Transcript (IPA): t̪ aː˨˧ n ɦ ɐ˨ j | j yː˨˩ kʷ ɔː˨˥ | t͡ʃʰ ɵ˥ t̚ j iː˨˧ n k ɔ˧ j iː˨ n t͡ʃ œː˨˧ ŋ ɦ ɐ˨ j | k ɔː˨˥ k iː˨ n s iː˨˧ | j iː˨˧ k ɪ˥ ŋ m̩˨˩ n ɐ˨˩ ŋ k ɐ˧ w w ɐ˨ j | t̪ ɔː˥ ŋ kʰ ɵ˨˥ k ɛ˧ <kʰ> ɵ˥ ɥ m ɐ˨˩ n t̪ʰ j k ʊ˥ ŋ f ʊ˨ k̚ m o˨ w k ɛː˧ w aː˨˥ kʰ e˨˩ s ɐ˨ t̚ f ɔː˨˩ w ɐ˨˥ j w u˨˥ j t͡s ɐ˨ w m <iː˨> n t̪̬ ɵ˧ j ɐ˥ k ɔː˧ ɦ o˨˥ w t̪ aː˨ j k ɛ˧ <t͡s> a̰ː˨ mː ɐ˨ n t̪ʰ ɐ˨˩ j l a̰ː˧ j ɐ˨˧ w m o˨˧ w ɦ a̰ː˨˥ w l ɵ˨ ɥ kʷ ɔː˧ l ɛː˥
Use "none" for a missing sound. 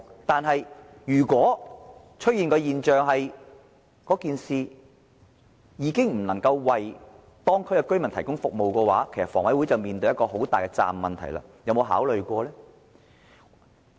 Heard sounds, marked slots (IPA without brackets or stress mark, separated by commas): k, iː˨, t͡s